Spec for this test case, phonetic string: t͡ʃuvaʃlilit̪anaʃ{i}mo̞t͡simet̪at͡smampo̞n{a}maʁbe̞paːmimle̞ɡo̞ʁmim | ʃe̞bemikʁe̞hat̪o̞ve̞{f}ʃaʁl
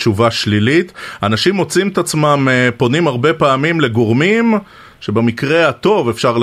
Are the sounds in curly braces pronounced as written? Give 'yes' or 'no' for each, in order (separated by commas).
yes, no, yes